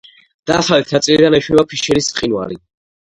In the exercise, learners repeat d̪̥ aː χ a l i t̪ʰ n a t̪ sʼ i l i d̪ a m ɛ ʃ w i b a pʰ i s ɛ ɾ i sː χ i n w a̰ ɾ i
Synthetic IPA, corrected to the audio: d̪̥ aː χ a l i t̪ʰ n a t̪ sʼ i l i d̪ a n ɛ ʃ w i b a pʰ i ʃ ɛ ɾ i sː χ i n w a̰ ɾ i